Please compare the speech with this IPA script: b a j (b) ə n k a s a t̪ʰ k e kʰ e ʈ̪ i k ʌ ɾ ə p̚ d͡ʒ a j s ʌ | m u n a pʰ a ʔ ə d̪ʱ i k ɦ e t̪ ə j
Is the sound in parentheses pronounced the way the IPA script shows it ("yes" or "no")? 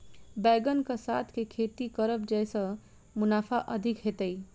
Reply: no